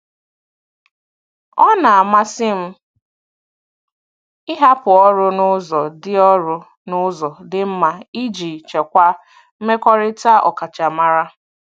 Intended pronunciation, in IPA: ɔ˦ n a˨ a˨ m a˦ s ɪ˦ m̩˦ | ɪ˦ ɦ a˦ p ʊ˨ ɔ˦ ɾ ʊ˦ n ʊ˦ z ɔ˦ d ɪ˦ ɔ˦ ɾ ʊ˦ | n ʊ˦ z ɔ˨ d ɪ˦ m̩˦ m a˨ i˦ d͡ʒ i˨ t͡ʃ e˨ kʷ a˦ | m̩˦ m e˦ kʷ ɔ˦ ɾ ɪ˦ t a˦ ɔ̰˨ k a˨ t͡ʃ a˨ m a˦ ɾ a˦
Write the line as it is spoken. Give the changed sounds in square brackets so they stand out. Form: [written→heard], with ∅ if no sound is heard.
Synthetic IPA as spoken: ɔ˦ n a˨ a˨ m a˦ s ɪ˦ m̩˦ | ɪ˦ ɦ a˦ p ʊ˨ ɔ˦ ɾ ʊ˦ n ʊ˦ z [ɔ˦→ɔ˨] d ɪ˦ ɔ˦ ɾ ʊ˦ | n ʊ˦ z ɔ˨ d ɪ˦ m̩˦ m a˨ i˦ d͡ʒ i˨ t͡ʃ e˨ kʷ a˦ | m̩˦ m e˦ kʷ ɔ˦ ɾ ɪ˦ t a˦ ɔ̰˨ k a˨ t͡ʃ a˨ m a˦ ɾ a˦